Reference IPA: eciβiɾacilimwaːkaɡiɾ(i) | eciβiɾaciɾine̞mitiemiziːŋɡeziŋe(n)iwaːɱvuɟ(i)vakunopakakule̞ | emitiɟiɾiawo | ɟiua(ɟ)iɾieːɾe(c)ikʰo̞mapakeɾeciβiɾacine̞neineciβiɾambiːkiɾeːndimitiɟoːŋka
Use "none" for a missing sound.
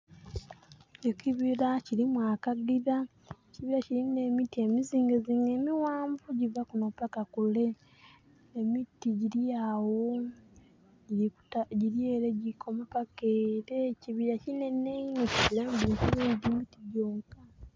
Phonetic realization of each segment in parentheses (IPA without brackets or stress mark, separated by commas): a, m, i, ɟ, ɟ